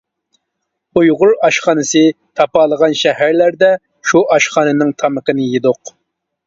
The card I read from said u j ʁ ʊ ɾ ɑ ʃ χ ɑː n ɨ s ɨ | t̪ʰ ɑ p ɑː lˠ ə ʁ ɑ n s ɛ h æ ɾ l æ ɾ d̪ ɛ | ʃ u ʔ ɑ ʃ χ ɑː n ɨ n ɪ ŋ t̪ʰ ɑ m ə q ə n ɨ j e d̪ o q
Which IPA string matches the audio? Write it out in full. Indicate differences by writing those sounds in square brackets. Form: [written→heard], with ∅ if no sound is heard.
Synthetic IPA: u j ʁ ʊ ɾ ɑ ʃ χ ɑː n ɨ s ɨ | t̪ʰ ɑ p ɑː lˠ ə ʁ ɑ n [s→ʃ] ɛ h æ ɾ l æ ɾ d̪ ɛ | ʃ u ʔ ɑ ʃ χ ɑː n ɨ n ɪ ŋ t̪ʰ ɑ m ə q ə n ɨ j e d̪ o q